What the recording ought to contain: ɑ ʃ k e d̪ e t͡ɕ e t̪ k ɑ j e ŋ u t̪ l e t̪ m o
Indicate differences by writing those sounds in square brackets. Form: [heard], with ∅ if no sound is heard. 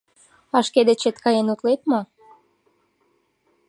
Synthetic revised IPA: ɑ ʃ k e d̪ e t͡ɕ e t̪ k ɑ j e [n] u t̪ l e t̪ m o